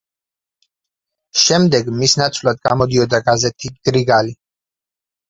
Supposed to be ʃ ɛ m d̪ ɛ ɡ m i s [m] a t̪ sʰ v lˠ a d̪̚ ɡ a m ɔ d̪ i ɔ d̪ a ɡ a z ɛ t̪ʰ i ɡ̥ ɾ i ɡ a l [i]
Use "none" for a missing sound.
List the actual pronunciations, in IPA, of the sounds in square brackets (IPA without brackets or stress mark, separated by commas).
n, i